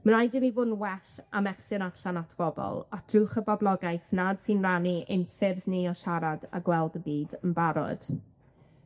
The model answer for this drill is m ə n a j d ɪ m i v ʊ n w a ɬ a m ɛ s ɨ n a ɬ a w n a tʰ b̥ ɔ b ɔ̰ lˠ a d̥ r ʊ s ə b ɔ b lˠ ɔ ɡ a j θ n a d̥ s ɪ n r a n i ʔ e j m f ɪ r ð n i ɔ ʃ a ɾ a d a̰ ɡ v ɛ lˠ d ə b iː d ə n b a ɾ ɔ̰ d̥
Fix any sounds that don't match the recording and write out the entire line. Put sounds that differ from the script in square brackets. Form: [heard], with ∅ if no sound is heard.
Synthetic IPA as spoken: m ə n a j d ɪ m i v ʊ n w [ɛ] ɬ a m ɛ s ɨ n a ɬ a [∅] n a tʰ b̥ ɔ b ɔ̰ lˠ a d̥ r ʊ [χ] ə b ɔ b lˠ ɔ ɡ a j θ n a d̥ s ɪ n r a n i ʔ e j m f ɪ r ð n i ɔ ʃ a ɾ a d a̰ ɡ [w] ɛ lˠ d ə b iː d ə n b a ɾ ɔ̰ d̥